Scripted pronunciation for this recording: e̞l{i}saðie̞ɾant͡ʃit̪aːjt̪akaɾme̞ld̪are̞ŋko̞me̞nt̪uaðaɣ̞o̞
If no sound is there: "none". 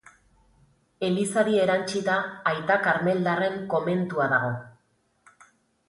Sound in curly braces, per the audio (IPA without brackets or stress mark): i